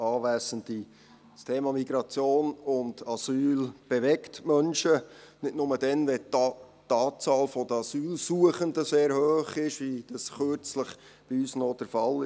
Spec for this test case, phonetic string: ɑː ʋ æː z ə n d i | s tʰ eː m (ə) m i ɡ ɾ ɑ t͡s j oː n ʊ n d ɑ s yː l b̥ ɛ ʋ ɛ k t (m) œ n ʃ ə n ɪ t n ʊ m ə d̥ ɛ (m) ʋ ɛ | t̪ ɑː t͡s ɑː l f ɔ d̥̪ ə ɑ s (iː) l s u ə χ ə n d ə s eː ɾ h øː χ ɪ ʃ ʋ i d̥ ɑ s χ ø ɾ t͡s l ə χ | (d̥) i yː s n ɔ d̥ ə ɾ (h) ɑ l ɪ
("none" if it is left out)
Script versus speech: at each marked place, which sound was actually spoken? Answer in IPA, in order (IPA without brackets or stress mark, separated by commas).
ɑ, m, n, yː, b̥, f